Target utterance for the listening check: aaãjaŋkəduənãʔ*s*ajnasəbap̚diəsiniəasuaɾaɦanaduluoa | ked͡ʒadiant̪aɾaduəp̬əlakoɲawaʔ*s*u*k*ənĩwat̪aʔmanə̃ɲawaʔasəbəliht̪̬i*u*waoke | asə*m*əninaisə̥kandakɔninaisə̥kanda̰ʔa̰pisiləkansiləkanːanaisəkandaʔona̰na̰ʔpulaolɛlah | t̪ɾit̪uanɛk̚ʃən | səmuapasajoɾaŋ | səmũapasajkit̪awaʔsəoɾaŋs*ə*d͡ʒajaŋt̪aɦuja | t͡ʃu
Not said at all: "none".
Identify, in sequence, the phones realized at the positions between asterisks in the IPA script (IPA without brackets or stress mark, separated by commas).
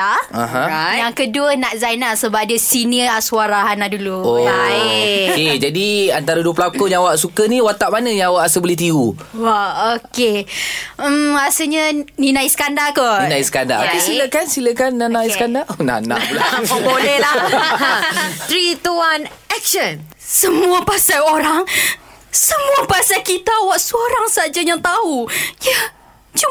z, s, k, u, ɲ, a